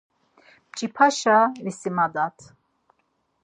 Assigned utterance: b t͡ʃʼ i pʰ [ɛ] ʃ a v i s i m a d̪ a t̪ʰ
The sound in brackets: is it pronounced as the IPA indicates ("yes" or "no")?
no